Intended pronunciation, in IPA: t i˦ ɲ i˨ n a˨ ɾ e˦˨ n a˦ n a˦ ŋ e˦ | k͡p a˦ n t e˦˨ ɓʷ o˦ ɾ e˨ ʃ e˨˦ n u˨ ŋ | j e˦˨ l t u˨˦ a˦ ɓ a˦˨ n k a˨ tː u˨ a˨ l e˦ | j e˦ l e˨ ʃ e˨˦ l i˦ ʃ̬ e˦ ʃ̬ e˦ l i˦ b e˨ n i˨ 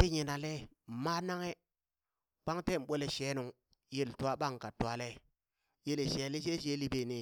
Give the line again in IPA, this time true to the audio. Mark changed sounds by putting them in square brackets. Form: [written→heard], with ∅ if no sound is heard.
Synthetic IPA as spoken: t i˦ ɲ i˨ n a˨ [ɾ→l] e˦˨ [n→m] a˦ n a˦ ŋ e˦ | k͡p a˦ [n→ŋ] t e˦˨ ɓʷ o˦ [ɾ→l] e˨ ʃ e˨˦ n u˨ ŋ | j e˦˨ l t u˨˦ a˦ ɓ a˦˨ [n→ŋ] k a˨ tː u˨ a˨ l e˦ | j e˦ l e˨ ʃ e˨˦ l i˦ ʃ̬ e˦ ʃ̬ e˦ l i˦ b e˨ n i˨